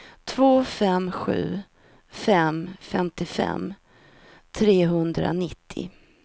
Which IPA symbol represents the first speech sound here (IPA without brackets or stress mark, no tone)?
t̪ʰ